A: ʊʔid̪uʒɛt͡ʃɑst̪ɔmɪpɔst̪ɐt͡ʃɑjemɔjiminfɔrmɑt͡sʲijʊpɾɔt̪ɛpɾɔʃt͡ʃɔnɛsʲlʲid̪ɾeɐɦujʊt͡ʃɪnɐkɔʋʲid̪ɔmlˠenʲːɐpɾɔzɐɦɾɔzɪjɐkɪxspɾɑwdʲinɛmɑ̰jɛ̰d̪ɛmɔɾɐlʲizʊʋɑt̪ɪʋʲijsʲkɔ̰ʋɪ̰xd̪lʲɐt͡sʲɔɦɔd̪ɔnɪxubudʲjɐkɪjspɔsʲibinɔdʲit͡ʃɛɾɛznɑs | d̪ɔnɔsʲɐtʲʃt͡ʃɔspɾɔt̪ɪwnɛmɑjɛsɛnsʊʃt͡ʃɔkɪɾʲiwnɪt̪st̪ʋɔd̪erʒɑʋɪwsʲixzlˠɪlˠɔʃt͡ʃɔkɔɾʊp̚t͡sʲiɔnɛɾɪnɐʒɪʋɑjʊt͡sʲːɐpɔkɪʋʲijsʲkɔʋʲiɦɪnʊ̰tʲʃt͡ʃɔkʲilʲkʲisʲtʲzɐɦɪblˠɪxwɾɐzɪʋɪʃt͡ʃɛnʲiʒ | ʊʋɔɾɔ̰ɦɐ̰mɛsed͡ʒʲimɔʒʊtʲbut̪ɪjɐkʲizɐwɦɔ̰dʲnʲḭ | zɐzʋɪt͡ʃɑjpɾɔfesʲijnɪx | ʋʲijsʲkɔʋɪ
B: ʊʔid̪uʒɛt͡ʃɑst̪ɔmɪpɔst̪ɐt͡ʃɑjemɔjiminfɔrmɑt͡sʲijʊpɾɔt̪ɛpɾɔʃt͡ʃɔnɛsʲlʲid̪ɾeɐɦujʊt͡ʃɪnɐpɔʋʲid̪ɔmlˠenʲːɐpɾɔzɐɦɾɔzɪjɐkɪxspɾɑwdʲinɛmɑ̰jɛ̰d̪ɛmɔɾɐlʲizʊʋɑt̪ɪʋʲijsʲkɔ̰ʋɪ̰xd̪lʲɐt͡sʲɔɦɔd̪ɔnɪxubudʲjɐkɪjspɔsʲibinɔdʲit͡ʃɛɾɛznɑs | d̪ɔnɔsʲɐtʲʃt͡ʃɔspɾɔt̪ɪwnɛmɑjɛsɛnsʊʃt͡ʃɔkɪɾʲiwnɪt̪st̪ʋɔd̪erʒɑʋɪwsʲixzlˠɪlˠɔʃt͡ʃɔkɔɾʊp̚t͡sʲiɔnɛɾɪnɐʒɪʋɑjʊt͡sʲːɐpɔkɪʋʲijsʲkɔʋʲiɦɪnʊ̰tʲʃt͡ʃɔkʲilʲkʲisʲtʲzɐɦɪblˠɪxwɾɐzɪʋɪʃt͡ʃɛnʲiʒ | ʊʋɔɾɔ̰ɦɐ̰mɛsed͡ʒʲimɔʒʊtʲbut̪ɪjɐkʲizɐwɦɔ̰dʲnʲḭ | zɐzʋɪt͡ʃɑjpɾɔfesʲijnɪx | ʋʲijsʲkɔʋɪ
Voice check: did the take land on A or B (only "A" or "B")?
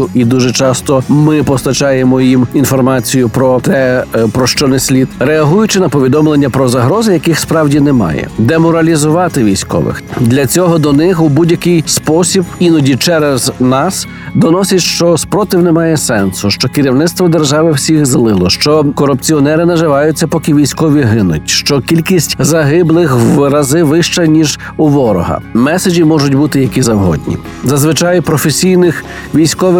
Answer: B